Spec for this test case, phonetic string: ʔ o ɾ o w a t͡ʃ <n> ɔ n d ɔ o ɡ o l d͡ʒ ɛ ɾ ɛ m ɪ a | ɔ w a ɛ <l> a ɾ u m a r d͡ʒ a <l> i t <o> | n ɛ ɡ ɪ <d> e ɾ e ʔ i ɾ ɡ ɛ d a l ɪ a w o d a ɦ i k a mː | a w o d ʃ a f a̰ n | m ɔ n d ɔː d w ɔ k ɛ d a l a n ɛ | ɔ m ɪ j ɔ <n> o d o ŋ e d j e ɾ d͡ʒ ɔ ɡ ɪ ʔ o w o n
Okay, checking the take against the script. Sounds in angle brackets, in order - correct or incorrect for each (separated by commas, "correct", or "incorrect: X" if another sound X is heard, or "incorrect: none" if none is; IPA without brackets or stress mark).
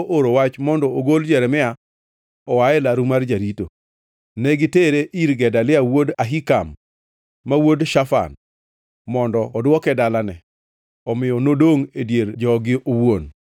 incorrect: m, correct, incorrect: ɾ, correct, incorrect: t, correct